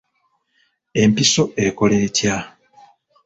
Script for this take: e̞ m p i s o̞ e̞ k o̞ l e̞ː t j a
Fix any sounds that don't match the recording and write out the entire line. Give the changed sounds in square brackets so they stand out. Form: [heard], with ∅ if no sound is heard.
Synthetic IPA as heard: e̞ m p i s o̞ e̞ k o̞ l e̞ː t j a